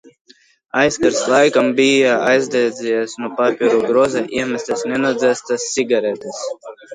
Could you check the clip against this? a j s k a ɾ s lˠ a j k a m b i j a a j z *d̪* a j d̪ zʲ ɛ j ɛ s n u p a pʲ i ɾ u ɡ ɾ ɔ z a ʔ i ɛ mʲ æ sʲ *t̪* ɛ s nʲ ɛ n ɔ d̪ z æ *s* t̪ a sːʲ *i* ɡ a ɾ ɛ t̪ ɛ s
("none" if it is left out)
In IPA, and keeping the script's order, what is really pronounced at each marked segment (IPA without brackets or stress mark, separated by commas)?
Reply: d̪, t̪, s, i